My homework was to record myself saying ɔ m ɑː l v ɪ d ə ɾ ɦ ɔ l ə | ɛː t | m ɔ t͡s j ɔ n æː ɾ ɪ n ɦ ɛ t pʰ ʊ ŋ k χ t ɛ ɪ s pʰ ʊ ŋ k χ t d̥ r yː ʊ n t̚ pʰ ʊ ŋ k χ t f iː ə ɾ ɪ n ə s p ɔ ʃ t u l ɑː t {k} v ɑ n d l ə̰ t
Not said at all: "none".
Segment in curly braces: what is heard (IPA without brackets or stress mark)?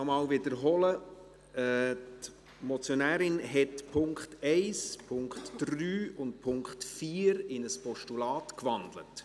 k